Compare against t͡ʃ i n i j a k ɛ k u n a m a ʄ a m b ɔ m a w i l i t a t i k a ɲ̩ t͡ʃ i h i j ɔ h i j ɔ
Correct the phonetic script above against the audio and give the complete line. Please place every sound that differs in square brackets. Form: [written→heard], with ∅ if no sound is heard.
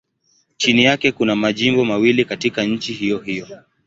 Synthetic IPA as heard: t͡ʃ i n i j a k ɛ k u n a m a ʄ [a→i] m b ɔ m a w i l i [t→k] a t i k a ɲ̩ t͡ʃ i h i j ɔ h i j ɔ